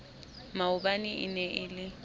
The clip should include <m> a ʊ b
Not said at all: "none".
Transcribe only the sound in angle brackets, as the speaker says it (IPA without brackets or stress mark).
m